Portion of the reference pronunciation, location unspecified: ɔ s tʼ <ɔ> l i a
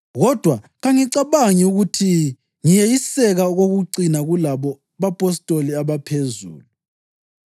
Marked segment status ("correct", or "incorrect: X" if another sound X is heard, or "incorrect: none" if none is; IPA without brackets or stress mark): incorrect: o